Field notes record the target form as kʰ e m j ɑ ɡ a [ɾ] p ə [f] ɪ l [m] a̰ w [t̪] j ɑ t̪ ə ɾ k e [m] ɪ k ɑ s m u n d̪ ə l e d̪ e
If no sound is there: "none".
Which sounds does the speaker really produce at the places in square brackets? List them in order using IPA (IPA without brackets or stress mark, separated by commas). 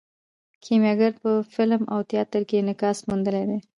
ɾ, f, m, t̪, n